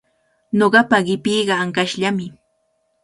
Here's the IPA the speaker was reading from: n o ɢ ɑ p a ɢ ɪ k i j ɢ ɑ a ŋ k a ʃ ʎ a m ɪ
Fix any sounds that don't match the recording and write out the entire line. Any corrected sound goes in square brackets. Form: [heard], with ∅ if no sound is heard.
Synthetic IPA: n o ɢ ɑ p a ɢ ɪ [p] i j ɢ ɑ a ŋ k a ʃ ʎ a m ɪ